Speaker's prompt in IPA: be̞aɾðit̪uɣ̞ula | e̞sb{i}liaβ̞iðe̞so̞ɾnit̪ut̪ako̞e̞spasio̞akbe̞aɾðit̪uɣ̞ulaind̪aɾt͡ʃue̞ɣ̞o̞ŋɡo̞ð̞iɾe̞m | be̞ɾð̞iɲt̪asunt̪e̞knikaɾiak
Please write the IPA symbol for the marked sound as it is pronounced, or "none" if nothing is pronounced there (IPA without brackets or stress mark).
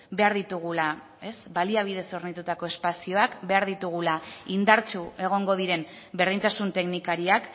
a